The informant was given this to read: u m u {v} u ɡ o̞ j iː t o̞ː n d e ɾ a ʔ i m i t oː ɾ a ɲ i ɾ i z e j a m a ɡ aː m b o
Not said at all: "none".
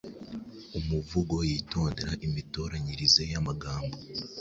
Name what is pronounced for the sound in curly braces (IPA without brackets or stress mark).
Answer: v